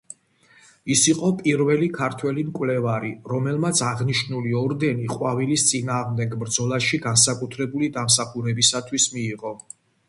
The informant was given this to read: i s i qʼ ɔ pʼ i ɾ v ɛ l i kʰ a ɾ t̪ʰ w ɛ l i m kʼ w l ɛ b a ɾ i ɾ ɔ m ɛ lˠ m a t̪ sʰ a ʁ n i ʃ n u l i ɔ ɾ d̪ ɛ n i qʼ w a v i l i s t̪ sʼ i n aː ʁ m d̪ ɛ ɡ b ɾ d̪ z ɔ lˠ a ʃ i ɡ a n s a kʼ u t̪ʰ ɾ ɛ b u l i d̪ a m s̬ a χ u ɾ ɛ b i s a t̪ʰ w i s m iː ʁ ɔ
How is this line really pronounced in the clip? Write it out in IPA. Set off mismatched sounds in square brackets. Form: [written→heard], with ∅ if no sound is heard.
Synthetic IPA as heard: i s i qʼ ɔ pʼ i ɾ v ɛ l i kʰ a ɾ t̪ʰ w ɛ l i m kʼ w l ɛ [b→v] a ɾ i ɾ ɔ m ɛ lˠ m a t̪ sʰ a ʁ n i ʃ n u l i ɔ ɾ d̪ ɛ n i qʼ w a v i l i s t̪ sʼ i n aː ʁ m d̪ ɛ ɡ b ɾ d̪ z ɔ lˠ a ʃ i ɡ a n s a kʼ u t̪ʰ ɾ ɛ b u l i d̪ a m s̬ a χ u ɾ ɛ b i s a t̪ʰ w i s m iː ʁ ɔ